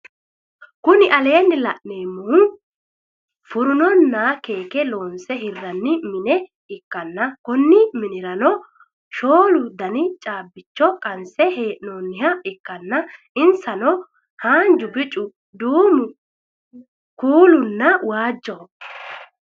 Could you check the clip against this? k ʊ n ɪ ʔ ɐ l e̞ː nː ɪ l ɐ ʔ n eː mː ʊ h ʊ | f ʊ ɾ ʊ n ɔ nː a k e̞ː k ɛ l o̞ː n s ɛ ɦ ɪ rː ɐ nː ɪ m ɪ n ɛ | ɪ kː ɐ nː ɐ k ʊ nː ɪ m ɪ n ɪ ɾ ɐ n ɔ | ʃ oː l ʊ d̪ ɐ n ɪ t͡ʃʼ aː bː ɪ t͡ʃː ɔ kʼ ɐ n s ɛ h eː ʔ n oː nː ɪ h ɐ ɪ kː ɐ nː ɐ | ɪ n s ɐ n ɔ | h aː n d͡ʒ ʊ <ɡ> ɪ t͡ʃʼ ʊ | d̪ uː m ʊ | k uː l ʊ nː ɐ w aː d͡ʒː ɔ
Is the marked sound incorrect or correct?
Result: incorrect